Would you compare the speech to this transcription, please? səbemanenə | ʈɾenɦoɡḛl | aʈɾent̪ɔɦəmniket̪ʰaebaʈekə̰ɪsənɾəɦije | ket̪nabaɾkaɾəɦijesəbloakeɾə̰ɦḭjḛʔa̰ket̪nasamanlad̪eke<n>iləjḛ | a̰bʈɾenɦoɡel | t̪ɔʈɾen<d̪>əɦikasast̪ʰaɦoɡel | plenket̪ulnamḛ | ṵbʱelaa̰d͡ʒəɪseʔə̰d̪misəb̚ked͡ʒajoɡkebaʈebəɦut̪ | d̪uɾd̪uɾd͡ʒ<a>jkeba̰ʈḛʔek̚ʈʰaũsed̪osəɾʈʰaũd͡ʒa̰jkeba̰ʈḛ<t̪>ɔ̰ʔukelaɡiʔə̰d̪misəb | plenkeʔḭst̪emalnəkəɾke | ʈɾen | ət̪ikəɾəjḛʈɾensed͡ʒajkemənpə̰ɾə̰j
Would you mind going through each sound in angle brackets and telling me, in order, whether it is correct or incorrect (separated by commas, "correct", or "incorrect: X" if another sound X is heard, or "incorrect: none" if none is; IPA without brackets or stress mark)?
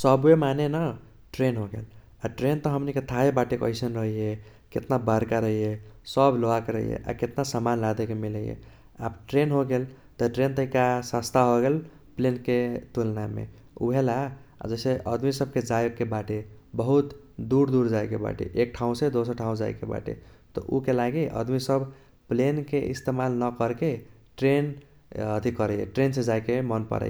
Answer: incorrect: m, incorrect: t̪, correct, correct